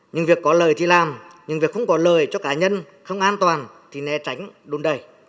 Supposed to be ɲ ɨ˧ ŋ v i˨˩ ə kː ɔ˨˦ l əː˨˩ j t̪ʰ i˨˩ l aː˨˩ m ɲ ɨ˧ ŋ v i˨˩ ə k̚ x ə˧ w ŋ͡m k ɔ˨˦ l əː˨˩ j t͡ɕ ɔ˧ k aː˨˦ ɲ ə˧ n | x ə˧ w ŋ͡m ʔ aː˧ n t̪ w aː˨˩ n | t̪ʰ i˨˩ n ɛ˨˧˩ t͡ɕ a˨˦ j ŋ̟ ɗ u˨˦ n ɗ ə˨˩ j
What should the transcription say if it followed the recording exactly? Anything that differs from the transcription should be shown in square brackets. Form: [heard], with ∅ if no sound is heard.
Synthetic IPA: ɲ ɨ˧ ŋ v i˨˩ ə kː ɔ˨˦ l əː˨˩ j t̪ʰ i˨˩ l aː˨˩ m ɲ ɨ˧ ŋ v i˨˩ ə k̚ x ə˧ w ŋ͡m k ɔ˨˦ l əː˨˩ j t͡ɕ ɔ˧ k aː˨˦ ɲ ə˧ n | x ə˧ w ŋ͡m ʔ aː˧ n t̪ w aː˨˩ n | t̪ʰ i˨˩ n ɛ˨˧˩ t͡ɕ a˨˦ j ŋ̟ ɗ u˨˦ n ɗ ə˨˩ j

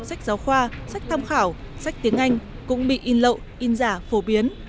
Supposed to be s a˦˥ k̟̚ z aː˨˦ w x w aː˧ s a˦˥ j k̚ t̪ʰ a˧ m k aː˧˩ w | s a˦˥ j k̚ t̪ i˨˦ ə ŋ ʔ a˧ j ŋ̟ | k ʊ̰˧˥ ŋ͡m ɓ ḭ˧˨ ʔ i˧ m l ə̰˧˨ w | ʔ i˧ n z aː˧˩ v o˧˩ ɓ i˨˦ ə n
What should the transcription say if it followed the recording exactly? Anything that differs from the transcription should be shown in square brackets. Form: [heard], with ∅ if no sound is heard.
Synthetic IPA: s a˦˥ k̟̚ z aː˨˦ w x w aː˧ s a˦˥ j k̚ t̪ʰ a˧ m [x] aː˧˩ w | s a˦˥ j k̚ t̪ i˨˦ ə ŋ ʔ a˧ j ŋ̟ | k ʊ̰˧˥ ŋ͡m ɓ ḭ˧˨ ʔ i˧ [n] l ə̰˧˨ w | ʔ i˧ n z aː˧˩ [f] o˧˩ ɓ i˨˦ ə n

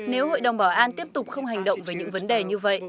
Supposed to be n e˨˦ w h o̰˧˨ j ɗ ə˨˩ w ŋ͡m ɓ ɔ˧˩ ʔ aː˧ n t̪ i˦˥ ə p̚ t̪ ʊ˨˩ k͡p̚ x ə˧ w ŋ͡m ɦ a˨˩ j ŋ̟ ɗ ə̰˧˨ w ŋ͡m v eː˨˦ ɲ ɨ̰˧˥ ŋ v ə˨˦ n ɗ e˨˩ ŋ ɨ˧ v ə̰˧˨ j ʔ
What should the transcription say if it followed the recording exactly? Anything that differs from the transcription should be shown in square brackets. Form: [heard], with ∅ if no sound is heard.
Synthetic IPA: n e˨˦ w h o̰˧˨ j ɗ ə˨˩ w ŋ͡m ɓ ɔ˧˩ ʔ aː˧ n t̪ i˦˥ ə p̚ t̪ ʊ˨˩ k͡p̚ x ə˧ w ŋ͡m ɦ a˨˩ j ŋ̟ ɗ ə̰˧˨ w ŋ͡m v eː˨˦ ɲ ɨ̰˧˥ ŋ v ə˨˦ n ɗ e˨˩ [ɲ] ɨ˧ v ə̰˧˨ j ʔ

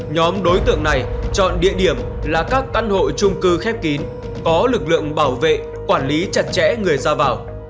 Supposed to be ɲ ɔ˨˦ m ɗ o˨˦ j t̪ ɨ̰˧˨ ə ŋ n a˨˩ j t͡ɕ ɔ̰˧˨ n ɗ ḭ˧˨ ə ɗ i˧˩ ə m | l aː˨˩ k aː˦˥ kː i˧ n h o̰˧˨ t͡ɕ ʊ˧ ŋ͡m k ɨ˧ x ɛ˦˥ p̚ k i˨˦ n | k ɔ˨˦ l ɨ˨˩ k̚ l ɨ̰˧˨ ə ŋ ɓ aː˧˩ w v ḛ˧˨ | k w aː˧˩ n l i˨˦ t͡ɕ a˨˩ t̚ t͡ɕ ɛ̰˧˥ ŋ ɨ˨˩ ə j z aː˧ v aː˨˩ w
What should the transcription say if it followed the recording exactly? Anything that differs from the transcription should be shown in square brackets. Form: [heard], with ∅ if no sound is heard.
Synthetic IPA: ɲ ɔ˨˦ m ɗ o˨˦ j t̪ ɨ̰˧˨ ə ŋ n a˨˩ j t͡ɕ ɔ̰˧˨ n ɗ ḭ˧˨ ə ɗ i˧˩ ə m | l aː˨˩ k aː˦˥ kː [a˧] n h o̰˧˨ t͡ɕ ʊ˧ ŋ͡m k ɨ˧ x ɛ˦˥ p̚ k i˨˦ n | k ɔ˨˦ l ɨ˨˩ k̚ l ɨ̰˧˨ ə ŋ ɓ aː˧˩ w v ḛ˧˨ | k w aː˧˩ n l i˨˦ t͡ɕ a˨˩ t̚ t͡ɕ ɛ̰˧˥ ŋ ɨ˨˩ ə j z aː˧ v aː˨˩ w

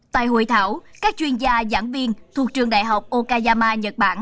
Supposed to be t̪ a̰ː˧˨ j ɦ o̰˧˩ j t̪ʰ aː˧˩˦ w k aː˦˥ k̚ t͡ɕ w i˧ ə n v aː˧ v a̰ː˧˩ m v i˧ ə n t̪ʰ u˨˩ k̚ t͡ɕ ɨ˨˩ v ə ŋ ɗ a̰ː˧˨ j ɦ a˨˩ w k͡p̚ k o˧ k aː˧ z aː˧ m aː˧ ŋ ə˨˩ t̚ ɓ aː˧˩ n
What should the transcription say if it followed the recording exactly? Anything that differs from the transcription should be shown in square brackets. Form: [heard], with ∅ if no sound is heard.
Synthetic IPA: t̪ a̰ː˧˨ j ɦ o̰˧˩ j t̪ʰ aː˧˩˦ w k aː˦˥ k̚ t͡ɕ w i˧ ə n [z] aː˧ [z] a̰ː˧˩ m v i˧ ə n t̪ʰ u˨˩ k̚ t͡ɕ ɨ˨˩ [∅] ə ŋ ɗ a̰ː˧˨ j ɦ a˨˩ w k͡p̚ [ʔ] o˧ k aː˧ z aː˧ m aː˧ [ɲ] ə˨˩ t̚ ɓ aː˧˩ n

